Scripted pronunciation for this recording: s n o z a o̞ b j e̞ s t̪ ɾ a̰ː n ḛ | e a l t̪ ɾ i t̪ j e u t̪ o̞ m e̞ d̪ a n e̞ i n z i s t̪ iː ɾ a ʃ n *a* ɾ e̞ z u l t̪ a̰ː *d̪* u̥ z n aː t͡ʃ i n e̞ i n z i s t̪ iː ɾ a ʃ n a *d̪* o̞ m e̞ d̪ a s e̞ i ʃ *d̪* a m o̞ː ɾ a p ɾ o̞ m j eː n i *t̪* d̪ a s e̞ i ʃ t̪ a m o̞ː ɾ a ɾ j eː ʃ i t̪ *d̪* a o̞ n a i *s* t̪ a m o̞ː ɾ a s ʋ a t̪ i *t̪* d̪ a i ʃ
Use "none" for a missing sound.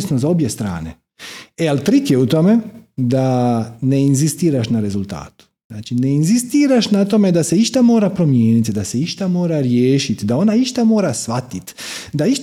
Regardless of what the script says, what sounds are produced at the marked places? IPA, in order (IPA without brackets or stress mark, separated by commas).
a, t̪, t̪, t̪, t̪, d̪, ʃ, t̪